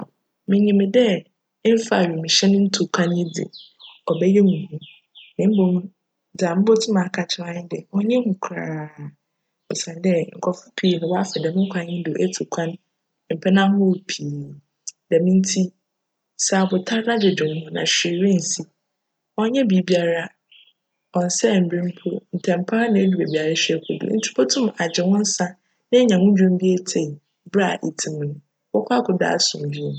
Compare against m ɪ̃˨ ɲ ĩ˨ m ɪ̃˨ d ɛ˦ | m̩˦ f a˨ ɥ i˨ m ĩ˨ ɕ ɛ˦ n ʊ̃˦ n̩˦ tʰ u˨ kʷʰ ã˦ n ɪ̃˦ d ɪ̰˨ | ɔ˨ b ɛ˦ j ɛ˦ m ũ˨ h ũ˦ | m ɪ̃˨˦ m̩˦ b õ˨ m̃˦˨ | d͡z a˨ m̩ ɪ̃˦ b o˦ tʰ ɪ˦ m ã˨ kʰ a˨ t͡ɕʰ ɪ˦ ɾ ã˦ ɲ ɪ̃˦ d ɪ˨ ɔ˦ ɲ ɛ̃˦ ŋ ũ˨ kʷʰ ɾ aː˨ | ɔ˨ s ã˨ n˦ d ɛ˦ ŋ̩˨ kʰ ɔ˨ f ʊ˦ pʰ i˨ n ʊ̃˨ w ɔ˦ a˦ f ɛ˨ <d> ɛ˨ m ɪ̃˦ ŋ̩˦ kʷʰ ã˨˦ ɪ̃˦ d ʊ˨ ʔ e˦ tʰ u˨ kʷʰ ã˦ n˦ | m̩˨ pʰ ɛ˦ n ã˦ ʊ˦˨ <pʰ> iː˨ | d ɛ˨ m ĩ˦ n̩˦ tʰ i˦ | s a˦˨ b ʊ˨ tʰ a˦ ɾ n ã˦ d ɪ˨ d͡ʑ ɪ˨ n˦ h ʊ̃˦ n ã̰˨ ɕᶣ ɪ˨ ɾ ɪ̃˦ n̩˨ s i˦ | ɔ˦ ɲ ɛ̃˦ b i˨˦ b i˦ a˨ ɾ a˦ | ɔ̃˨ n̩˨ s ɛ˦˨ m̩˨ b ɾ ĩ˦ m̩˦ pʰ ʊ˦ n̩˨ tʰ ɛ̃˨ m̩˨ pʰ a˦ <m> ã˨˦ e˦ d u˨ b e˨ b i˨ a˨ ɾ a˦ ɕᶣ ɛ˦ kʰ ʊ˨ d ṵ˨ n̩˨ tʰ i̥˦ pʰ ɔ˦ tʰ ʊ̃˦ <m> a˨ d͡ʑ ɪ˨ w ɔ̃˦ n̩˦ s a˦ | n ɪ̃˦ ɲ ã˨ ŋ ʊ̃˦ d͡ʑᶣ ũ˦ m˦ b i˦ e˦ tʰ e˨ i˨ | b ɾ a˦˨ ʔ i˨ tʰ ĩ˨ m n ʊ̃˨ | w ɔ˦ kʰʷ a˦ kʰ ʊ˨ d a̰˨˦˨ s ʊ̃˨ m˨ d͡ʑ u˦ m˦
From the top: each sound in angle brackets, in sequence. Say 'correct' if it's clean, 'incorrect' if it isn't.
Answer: correct, correct, incorrect: n, correct

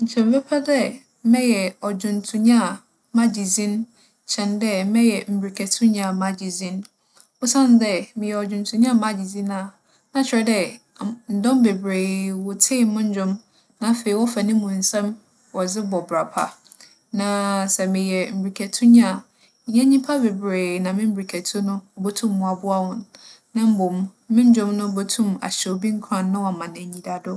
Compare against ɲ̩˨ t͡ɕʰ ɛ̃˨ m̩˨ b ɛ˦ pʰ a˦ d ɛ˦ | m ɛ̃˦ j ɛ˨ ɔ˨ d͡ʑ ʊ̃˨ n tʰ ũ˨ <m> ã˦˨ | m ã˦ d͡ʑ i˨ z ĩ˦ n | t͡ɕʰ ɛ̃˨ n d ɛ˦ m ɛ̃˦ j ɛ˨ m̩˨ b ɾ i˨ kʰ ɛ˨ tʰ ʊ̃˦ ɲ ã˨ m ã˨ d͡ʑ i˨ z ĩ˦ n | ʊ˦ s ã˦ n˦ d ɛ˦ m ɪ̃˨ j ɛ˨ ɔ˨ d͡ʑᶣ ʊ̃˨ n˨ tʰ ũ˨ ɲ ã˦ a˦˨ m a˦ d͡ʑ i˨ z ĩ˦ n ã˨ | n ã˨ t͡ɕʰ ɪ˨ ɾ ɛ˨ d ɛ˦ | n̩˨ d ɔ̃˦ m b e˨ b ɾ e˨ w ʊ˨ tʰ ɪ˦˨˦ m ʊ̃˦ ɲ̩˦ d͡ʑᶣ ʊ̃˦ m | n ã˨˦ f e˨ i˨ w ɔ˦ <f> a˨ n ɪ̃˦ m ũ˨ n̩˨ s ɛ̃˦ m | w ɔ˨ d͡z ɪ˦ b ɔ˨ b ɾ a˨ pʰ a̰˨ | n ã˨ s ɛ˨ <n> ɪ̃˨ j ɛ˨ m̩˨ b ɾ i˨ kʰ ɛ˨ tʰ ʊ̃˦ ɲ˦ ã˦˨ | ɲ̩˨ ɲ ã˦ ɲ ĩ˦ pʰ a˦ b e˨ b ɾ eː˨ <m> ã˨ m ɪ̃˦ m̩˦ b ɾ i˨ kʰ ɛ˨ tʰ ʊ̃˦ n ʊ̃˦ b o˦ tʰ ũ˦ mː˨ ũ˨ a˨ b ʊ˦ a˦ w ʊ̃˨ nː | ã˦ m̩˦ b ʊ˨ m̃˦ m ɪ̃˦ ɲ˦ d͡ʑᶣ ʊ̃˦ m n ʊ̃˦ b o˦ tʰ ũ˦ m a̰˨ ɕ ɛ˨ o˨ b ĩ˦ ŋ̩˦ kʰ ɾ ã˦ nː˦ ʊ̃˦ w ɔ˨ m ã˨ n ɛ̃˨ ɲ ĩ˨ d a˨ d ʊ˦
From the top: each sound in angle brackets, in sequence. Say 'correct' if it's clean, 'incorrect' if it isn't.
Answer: incorrect: ɲ, correct, incorrect: m, incorrect: n

